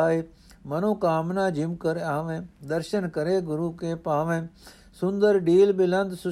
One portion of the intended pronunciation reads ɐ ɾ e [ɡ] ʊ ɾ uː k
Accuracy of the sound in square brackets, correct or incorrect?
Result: correct